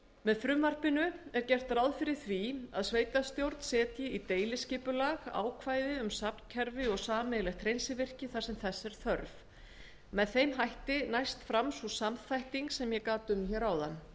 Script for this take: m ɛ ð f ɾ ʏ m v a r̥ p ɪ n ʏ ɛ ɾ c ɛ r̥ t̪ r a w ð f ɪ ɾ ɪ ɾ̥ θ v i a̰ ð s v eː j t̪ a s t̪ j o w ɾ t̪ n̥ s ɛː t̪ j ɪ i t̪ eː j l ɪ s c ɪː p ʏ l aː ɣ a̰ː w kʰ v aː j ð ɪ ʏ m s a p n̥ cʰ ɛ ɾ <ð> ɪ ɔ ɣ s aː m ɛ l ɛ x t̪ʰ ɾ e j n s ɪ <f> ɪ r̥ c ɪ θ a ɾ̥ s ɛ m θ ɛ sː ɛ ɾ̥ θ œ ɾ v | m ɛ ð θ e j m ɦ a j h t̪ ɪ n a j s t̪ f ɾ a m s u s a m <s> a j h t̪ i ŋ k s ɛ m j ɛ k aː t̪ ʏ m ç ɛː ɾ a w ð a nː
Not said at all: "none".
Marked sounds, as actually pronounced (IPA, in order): v, v, θ

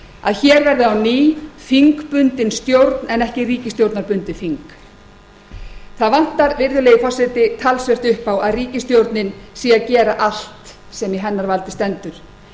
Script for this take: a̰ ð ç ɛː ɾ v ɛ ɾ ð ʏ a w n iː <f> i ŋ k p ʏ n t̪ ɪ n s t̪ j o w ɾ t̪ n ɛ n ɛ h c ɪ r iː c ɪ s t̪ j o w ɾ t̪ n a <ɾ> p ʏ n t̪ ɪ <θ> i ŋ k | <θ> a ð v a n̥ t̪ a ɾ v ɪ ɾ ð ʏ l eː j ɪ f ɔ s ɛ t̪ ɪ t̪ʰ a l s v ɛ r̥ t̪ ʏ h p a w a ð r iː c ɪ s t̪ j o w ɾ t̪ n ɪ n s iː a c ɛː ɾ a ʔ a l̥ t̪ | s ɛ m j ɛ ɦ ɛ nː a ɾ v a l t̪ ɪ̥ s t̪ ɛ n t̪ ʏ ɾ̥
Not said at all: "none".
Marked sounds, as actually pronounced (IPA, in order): f, ɾ, f, θ

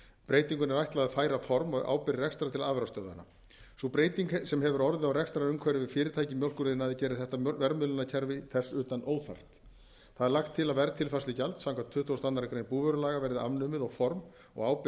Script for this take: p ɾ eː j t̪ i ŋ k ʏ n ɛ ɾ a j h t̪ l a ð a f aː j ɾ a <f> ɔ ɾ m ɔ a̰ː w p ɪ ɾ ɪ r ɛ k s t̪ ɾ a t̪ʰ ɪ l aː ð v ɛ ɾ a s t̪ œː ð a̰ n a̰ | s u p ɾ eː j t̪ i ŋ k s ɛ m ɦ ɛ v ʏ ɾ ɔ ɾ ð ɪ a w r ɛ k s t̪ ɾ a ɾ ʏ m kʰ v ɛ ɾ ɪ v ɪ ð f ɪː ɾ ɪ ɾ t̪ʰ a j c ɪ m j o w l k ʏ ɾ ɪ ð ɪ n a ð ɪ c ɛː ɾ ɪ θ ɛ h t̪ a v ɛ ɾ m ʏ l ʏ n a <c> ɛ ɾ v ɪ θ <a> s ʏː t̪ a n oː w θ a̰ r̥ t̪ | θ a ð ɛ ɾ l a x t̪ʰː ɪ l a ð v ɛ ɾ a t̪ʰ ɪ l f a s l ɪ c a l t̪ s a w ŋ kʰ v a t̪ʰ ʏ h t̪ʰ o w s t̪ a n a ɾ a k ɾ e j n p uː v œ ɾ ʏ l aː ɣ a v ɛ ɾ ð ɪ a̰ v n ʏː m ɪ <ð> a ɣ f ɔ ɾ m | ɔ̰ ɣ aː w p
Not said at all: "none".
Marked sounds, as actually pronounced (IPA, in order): f, cʰ, ɛ, ð

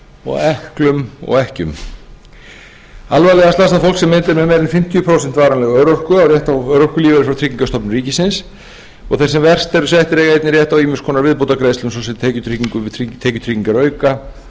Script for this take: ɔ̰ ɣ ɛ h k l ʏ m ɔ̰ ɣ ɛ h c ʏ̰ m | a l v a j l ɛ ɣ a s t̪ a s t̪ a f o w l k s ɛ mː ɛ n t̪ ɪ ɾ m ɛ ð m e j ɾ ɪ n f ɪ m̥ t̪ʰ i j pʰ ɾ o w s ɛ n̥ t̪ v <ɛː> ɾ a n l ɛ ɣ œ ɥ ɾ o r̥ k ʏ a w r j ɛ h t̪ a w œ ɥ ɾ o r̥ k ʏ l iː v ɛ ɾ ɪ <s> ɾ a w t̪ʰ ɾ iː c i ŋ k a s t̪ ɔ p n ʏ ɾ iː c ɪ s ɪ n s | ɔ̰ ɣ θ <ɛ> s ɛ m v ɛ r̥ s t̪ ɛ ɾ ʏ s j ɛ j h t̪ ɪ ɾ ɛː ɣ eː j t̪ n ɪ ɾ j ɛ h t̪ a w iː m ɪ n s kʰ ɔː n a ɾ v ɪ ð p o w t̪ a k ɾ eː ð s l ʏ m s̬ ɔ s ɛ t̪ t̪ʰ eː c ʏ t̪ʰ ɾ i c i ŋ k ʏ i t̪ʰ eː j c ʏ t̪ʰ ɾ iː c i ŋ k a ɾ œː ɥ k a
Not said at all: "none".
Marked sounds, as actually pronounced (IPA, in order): aː, f, ɛ

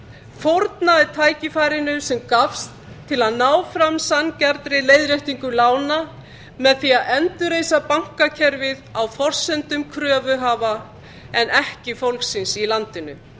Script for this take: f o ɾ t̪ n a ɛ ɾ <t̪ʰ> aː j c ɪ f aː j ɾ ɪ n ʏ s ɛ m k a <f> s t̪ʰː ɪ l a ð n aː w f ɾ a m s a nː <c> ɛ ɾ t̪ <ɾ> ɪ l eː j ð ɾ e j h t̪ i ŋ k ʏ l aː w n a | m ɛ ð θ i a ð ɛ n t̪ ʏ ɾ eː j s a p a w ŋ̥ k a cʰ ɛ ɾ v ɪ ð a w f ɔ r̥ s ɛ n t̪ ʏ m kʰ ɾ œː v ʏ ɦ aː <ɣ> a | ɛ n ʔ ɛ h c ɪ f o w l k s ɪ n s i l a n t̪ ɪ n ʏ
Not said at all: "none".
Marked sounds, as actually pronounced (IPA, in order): t̪ʰ, f, c, ɾ, v

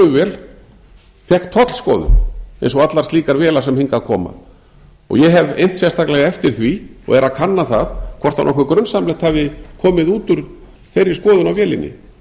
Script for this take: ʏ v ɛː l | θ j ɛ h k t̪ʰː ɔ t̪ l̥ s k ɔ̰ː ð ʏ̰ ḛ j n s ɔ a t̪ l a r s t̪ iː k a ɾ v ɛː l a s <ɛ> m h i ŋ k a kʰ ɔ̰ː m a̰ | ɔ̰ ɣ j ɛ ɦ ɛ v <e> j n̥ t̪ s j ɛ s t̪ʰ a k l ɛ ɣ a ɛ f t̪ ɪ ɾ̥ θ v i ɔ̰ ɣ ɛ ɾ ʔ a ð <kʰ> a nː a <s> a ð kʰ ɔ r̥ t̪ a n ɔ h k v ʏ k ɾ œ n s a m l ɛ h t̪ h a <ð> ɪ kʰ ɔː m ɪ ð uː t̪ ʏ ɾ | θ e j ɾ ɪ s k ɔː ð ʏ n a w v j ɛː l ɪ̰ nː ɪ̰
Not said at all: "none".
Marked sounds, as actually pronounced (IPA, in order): ɛ, e, kʰ, θ, v

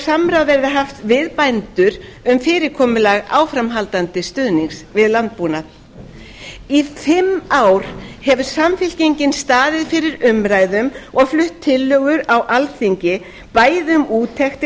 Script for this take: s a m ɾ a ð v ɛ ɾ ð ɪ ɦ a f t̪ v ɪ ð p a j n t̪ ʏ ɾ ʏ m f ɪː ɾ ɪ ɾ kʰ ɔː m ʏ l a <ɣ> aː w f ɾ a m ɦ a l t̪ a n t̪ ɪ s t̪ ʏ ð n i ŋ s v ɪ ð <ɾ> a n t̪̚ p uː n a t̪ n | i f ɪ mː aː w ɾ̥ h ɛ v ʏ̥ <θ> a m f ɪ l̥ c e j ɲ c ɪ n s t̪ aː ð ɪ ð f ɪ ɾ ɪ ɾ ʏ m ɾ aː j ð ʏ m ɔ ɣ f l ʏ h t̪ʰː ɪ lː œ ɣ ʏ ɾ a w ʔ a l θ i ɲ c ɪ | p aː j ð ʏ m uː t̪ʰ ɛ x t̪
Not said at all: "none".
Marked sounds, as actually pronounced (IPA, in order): ɣ, l, s

